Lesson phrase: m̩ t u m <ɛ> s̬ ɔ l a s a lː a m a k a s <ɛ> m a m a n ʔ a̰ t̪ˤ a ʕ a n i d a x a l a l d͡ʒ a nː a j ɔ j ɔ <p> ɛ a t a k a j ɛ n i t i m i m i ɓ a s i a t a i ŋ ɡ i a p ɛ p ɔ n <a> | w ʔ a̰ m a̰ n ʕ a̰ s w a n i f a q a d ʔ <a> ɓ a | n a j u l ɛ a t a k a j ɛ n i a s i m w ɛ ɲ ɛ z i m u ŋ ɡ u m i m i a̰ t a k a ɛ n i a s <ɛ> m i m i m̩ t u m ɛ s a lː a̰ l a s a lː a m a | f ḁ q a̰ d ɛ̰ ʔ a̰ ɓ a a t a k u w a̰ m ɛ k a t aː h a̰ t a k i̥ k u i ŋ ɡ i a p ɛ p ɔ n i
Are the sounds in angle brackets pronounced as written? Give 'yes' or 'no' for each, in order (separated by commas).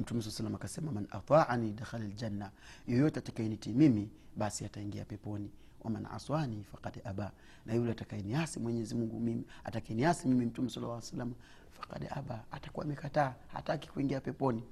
yes, yes, no, no, yes, no